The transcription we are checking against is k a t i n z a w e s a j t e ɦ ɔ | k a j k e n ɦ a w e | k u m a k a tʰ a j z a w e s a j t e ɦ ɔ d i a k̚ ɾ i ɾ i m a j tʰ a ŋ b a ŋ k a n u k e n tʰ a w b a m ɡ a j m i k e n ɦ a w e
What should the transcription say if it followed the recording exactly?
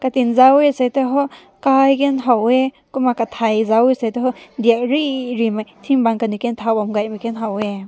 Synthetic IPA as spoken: k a t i n z a w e s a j t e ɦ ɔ | k a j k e n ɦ a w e | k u m a k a tʰ a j z a w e s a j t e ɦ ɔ d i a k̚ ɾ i ɾ i m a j tʰ i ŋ b a ŋ k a n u k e n tʰ a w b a m ɡ a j m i k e n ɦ a w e